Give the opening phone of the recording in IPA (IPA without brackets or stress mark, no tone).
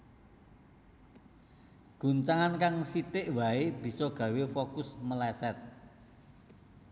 ɡ̥